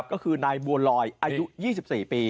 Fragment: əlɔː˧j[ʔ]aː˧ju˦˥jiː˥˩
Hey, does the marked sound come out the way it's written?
yes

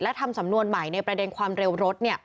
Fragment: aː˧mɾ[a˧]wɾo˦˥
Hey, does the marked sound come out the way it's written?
no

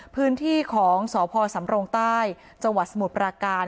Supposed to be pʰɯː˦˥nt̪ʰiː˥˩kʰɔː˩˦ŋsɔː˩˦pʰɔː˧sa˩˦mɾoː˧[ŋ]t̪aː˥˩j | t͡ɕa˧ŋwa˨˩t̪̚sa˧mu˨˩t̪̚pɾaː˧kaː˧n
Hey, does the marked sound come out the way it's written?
yes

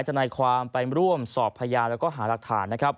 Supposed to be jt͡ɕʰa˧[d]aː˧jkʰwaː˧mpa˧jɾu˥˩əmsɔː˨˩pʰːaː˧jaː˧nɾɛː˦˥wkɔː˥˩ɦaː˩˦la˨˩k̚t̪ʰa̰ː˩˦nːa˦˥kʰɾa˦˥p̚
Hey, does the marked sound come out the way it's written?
no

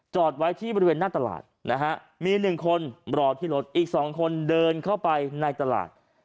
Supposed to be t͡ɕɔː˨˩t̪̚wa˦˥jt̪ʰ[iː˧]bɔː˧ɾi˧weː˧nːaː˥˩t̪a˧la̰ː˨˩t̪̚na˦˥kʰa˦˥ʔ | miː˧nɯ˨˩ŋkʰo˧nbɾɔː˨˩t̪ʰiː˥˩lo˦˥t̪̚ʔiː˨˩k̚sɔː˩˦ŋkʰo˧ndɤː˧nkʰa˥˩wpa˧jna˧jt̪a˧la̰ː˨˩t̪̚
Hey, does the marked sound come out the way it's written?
no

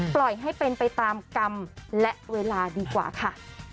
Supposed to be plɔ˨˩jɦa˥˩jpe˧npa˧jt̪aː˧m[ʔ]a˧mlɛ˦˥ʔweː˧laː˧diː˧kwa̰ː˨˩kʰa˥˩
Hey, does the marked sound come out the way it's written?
no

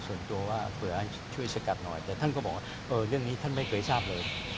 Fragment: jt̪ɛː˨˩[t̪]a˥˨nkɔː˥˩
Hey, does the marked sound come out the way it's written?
no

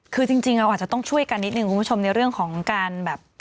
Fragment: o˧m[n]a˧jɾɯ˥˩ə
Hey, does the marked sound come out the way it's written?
yes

